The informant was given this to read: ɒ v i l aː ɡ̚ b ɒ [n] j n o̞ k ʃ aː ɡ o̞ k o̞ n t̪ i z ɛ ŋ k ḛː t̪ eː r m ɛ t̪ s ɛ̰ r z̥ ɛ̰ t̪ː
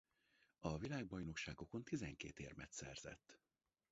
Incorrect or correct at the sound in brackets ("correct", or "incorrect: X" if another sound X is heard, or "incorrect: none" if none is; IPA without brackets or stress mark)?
incorrect: none